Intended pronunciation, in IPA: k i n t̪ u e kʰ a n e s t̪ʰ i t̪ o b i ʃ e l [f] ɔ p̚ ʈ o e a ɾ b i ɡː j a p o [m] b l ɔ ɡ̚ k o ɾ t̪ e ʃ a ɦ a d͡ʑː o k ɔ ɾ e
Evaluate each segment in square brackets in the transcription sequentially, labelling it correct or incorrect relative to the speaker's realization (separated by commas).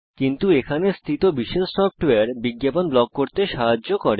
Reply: incorrect, incorrect